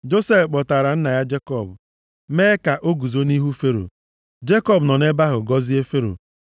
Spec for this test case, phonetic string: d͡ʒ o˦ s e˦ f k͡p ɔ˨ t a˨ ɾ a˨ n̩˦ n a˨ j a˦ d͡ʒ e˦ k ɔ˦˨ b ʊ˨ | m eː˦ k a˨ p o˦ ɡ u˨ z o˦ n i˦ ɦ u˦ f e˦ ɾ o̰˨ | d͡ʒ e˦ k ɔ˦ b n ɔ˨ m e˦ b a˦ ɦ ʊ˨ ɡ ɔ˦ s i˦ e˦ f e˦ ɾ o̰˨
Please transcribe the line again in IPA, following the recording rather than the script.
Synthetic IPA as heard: d͡ʒ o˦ s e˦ f k͡p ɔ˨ t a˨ ɾ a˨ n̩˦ n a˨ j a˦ d͡ʒ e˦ k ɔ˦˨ b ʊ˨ | m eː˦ k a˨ ʔ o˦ ɡ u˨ z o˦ n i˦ ɦ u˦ f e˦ ɾ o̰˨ | d͡ʒ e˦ k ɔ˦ b n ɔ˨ n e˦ b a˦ ɦ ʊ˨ ɡ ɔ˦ z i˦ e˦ f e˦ ɾ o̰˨